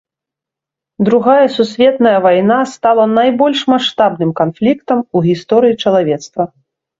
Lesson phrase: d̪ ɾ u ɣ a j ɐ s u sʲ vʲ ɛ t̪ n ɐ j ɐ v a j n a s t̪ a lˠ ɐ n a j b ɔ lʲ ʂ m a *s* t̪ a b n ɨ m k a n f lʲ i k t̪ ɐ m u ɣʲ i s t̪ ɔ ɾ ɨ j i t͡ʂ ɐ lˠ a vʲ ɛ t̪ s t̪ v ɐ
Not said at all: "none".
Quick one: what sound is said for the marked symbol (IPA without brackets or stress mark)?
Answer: ʂ